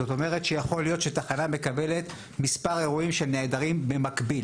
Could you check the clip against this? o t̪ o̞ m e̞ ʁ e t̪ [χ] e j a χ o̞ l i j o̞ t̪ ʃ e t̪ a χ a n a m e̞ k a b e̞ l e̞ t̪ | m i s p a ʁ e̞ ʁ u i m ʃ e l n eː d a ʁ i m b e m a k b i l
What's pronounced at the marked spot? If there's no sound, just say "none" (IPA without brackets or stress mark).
ʃ